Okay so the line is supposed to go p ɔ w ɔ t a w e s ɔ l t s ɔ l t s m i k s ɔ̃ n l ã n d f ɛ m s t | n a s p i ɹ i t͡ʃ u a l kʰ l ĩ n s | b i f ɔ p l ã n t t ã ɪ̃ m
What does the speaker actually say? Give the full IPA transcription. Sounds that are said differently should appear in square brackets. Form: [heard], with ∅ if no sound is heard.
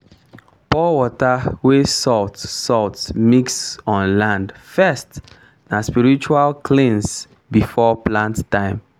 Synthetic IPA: p ɔ w ɔ t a w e s ɔ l t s ɔ l t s m i k s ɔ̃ n l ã n d f ɛ [∅] s t | n a s p i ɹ i t͡ʃ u a l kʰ l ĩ n s | b i f ɔ p l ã n t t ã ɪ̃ m